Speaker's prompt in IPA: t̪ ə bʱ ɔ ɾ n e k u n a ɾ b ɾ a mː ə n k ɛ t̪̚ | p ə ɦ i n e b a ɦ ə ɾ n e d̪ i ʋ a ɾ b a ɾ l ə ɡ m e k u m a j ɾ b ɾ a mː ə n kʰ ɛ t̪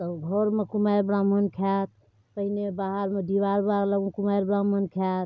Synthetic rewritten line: t̪ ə ɡʱ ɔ ɾ m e k u m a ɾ b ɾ a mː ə n kʰ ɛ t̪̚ | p ə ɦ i n e b a ɦ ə ɾ m e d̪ i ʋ a ɾ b a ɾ l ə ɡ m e k u m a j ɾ b ɾ a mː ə n kʰ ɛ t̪